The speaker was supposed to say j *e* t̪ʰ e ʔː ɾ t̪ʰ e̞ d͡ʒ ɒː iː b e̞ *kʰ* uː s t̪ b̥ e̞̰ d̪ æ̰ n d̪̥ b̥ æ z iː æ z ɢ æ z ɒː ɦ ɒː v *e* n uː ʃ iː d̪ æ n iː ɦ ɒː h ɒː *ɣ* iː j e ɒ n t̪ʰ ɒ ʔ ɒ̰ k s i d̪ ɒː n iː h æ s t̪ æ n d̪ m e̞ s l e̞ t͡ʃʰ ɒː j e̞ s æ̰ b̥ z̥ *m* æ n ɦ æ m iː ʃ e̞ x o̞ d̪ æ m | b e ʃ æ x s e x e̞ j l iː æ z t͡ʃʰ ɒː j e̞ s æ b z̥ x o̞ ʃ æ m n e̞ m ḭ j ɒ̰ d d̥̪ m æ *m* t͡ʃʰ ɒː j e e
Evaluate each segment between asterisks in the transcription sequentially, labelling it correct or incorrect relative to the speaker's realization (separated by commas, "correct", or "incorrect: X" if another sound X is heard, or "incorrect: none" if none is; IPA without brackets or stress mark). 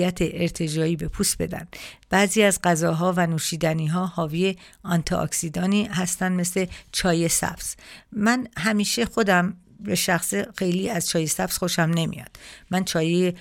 incorrect: æ, incorrect: pʰ, incorrect: æ, incorrect: v, correct, incorrect: n